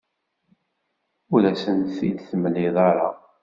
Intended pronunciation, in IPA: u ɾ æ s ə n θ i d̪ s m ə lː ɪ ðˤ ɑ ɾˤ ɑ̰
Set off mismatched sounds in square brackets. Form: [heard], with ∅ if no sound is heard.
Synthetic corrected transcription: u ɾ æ s ə n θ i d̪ [θ] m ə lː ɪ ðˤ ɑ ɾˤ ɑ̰